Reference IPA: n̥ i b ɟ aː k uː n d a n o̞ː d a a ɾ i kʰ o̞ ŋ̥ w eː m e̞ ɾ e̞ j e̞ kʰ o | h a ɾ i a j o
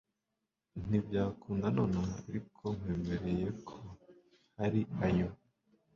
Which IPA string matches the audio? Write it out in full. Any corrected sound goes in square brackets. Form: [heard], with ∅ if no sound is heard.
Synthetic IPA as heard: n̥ i b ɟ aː k uː n d a n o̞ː [n] a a ɾ i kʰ o̞ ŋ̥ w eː m e̞ ɾ e̞ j e̞ kʰ o | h a ɾ i a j o